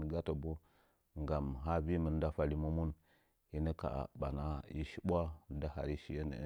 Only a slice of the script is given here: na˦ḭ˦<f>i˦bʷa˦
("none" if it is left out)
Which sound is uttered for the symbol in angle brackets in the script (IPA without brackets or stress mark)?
ʃ